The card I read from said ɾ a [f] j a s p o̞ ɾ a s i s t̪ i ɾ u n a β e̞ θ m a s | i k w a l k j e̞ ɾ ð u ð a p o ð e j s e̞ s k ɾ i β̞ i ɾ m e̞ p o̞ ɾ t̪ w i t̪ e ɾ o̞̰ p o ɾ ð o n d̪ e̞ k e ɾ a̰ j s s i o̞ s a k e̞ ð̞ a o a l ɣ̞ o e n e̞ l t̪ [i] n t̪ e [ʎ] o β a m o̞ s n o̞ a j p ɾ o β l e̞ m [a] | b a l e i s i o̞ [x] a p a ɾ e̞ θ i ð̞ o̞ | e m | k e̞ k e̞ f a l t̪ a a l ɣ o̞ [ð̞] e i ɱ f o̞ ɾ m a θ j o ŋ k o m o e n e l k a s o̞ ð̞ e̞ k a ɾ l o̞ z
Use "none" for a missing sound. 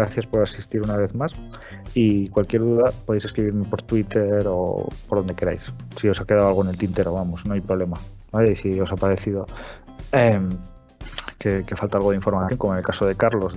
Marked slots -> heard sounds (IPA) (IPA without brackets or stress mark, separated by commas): θ, i, ɾ, a, s, ð̞